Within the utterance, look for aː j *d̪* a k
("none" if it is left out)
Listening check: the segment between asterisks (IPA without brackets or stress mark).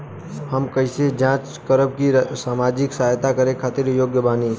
t̪